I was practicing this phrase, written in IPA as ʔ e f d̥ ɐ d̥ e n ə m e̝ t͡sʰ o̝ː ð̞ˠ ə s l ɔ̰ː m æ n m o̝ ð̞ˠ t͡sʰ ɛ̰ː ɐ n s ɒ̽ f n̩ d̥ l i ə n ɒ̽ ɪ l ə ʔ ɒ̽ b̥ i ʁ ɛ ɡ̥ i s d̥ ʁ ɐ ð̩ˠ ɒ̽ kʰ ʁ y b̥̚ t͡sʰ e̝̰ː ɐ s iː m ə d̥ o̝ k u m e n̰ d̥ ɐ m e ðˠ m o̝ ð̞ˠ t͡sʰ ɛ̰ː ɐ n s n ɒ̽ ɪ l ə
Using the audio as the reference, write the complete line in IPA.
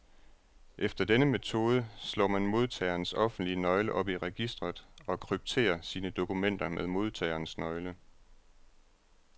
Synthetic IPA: ʔ e f d̥ ɐ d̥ e n ə m e̝ t͡sʰ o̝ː ð̞ˠ ə s l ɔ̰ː m æ n m o̝ ð̞ˠ t͡sʰ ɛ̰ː ɐ n s ɒ̽ f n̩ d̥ l i ə n ɒ̽ ɪ l ə ʔ ɒ̽ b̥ i ʁ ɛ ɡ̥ i s d̥ ʁ ɐ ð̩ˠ ɒ̽ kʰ ʁ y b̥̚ t͡sʰ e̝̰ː ɐ s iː n ə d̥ o̝ k u m e n̰ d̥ ɐ m e ðˠ m o̝ ð̞ˠ t͡sʰ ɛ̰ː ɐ n s n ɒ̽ ɪ l ə

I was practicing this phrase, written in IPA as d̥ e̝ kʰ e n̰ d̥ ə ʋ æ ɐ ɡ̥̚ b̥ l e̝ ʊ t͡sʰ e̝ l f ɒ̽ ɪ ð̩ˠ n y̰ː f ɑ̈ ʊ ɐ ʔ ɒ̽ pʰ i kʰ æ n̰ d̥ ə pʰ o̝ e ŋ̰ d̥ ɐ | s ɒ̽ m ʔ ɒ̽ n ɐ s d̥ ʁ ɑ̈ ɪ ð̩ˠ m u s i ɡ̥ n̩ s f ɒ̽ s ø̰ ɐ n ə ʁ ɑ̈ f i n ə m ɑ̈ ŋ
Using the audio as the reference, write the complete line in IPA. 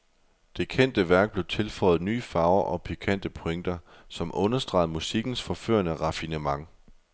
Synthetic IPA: d̥ e̝ kʰ e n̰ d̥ ə ʋ æ ɐ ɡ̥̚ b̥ l e̝ ʊ t͡sʰ e̝ l f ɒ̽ ɪ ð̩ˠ n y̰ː f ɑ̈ ʊ ɐ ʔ ɒ̽ pʰ i kʰ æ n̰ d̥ ə pʰ o̝ e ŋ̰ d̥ ɐ | s ɒ̽ m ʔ ɔ̽ n ɐ s d̥ ʁ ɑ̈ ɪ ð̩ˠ m u s i ɡ̥ n̩ s f ɒ̽ f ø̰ ɐ n ə ʁ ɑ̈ f i n ə m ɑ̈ ŋ

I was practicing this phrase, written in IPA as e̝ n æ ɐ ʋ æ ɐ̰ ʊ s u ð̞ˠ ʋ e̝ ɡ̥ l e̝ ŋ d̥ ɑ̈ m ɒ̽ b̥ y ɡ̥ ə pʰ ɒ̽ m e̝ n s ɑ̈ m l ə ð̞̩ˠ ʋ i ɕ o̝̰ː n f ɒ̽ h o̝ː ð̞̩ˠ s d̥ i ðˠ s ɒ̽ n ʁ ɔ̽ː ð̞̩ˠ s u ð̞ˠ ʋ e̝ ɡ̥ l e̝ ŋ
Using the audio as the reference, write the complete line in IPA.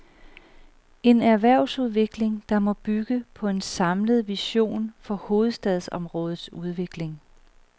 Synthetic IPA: e̝ n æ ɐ ʋ æ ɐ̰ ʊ s u ð̞ˠ ʋ e̝ ɡ̥ l e̝ ŋ d̥ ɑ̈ m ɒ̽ b̥ y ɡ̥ ə pʰ ɒ̽ e̝ n s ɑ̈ m l ə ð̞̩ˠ ʋ i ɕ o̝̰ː n f ɒ̽ h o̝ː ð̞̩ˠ s d̥ ɛ ðˠ s ɒ̽ m ʁ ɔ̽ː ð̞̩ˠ s u ð̞ˠ ʋ e̝ ɡ̥ l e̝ ŋ

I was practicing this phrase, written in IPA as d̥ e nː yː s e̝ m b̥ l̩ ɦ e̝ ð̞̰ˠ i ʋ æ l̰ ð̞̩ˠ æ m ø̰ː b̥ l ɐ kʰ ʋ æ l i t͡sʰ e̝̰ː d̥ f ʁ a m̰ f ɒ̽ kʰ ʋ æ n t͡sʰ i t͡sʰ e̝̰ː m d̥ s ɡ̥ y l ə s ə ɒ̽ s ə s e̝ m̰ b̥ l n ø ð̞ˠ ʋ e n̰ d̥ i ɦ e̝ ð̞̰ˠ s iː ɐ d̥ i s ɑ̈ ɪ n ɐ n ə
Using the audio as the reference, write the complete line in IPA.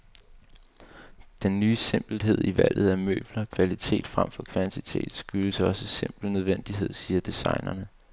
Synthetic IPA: d̥ e nː yː s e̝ m b̥ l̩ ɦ e̝ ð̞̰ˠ i ʋ æ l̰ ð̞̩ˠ æ m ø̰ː b̥ l ɐ kʰ ʋ æ l i t͡sʰ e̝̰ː d̥ f ʁ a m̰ f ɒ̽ kʰ ʋ æ n t͡sʰ i t͡sʰ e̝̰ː d̥ s ɡ̥ y l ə s ə ɒ̽ s ə s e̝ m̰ b̥ l n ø ð̞ˠ ʋ e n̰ d̥ i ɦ e̝ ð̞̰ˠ s iː ɐ d̥ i s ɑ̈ ɪ n ɐ n ə

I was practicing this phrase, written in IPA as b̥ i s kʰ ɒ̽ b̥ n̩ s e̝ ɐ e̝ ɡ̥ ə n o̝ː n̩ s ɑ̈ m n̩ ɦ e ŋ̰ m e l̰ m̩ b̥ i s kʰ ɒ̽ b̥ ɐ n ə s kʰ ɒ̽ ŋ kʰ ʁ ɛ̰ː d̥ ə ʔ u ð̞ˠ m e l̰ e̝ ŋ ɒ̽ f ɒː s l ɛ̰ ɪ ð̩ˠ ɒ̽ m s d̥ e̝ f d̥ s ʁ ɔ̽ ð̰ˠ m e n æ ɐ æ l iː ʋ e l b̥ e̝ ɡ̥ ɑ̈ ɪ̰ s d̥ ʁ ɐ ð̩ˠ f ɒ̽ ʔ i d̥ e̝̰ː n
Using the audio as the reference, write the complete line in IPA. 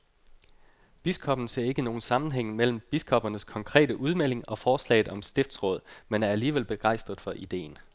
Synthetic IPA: b̥ i s kʰ ɒ̽ b̥ n̩ s e̝ ɐ e̝ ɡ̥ ə n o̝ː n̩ s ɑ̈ m n̩ ɦ e ŋ̰ m e l̰ m̩ b̥ i s kʰ ɒ̽ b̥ ɐ n ə s kʰ ɒ̽ ŋ kʰ ʁ ɛ̰ː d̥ ə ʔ u ð̞ˠ m e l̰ e̝ ŋ ɒ̽ f ɒː s l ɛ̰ ɪ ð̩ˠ ɒ̽ m s d̥ e̝ f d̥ s ʁ ɔ̽ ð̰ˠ m e n æ ɐ æ l iː ʋ e l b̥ e̝ ɡ̥ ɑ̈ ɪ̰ s d̥ ʁ ɐ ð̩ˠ f ɒ̽ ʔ i d̥ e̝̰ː n

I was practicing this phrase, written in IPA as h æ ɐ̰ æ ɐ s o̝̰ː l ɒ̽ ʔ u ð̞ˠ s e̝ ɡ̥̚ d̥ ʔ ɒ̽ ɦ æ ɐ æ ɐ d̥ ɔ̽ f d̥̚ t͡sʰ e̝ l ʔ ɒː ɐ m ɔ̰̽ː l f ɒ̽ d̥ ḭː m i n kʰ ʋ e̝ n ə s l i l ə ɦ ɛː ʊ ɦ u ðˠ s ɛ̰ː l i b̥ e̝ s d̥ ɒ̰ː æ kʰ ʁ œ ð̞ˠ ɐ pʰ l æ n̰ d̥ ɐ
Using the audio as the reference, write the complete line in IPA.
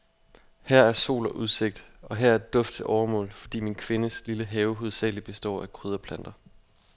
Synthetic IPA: h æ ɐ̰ æ ɐ s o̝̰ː l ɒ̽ ʔ u ð̞ˠ s e̝ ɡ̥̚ d̥ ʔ ɒ̽ ɦ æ ɐ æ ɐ d̥ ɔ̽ f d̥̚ t͡sʰ e̝ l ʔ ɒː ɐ m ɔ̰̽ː l f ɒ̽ d̥ ḭː m i n kʰ ʋ e̝ n ə s l i l ə ɦ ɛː ʊ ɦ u ðˠ s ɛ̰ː l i b̥ e̝ s d̥ ɒ̰ː æ kʰ ʁ y ð̞ˠ ɐ pʰ l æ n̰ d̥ ɐ

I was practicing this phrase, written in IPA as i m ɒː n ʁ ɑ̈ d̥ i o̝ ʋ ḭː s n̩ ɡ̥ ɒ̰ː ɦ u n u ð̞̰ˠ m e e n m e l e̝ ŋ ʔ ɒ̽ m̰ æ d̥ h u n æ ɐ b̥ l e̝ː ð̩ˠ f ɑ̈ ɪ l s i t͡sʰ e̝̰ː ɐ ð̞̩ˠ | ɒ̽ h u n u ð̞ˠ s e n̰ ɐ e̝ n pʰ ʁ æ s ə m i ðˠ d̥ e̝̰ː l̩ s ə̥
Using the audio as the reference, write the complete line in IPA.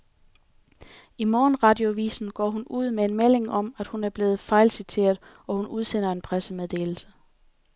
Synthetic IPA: i m ɒː n ʁ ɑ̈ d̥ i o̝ ʋ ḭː s n̩ ɡ̥ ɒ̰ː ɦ u n u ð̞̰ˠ m e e n m e l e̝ ŋ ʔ ɒ̽ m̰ æ d̥ h u n æ ɐ b̥ l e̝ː ð̩ˠ f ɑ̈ ɪ l s i t͡sʰ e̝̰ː ɐ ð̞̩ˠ | ɒ̽ h u n u ð̞ˠ s e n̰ ɐ e̝ n pʰ ʁ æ s ə m e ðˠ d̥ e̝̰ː l̩ s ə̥

